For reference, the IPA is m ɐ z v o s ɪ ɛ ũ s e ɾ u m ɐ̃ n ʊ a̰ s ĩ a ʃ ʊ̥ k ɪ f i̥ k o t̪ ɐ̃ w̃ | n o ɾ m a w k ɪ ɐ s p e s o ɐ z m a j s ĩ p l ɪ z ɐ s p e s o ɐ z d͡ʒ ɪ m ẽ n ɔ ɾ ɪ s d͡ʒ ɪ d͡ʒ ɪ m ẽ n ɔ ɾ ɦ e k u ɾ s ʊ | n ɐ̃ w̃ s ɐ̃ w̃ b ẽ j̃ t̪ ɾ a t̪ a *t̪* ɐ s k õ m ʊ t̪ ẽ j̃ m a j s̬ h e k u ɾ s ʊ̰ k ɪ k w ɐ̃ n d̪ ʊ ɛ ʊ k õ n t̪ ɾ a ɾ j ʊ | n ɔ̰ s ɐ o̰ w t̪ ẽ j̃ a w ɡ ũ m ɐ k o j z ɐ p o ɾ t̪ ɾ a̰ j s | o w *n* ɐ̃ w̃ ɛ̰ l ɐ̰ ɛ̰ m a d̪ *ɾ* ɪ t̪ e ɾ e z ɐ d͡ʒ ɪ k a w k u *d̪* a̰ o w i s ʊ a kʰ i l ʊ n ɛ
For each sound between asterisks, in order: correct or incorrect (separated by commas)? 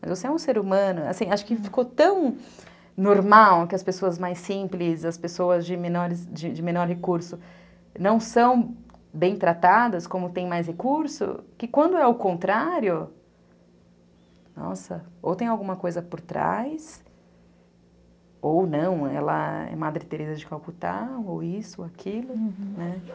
incorrect, correct, correct, incorrect